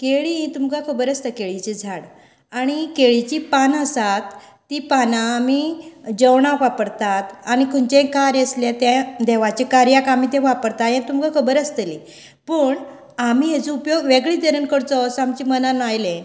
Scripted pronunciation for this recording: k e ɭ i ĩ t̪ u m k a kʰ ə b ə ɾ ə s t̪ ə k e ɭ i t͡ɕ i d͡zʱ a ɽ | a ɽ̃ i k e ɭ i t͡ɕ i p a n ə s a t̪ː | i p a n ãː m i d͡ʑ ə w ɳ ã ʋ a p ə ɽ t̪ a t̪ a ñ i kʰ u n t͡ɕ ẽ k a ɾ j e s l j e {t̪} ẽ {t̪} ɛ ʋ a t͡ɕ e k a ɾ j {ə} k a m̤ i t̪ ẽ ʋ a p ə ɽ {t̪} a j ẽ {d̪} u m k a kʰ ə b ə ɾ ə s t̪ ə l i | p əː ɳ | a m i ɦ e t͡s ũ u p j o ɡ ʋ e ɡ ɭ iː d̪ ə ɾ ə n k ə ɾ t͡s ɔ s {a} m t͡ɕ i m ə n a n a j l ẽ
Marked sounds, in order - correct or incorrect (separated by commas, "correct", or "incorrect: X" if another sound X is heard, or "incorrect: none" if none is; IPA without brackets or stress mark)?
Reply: correct, incorrect: d̪, incorrect: a, correct, incorrect: t̪, correct